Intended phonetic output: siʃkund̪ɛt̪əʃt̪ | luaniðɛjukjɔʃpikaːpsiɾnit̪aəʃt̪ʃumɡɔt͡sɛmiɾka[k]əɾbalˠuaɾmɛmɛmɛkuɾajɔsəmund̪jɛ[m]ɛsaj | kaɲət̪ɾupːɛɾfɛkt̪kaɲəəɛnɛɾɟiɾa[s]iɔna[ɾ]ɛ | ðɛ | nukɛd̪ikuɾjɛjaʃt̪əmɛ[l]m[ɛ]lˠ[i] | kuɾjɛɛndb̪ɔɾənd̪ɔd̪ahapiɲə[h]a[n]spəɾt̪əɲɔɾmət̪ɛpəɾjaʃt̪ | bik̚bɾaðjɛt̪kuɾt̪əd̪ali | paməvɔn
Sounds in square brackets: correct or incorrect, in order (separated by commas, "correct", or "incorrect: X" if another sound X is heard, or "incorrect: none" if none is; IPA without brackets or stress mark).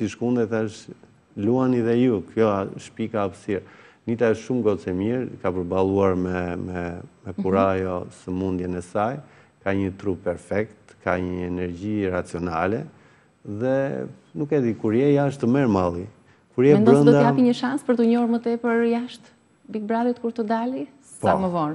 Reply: incorrect: p, incorrect: n, incorrect: t͡s, incorrect: l, incorrect: ɾ, incorrect: a, correct, incorrect: ʃ, correct